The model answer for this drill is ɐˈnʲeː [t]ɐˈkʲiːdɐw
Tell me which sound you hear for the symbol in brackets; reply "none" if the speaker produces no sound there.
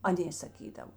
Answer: s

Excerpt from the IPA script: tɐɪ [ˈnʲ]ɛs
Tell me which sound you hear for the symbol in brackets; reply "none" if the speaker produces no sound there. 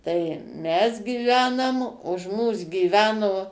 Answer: mʲ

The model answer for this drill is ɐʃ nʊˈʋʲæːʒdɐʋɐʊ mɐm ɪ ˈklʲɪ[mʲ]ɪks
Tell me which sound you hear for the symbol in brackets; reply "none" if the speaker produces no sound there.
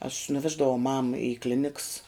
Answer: nʲ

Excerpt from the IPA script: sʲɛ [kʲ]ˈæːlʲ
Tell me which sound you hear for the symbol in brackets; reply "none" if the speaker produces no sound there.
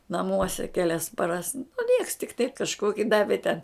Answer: kʲ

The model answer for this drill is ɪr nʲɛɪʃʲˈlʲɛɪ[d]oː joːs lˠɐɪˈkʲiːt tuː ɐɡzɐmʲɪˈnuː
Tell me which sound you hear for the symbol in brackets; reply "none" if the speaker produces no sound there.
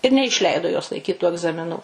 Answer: d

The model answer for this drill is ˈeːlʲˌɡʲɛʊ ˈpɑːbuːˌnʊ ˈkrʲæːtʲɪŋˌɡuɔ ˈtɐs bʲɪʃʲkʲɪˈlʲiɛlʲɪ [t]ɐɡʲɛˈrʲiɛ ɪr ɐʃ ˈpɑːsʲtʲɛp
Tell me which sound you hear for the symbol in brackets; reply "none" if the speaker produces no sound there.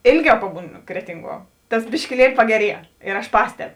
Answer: p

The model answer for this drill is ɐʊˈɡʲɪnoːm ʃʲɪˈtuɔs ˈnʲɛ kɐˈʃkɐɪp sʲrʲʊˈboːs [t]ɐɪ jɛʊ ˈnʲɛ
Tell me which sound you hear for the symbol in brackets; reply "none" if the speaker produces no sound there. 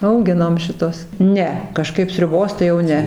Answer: t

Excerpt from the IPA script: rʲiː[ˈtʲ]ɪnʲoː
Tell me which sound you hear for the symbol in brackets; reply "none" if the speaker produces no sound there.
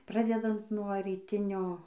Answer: tʲ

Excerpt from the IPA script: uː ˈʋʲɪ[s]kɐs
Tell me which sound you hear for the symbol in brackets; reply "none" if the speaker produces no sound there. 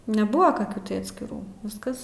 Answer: s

